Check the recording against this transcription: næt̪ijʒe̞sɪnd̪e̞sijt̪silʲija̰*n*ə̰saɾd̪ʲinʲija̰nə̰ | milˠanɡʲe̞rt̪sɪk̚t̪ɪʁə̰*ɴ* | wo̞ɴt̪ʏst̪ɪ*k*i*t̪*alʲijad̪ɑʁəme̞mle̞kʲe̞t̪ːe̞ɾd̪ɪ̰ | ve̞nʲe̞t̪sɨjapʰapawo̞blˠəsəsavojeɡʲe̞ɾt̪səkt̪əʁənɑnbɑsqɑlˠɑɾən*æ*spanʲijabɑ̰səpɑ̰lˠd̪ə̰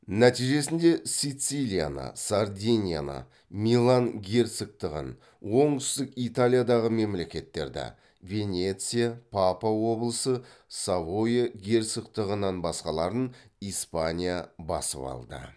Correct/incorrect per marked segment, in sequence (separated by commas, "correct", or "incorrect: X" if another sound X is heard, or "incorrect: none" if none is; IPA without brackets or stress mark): correct, incorrect: n, correct, correct, incorrect: i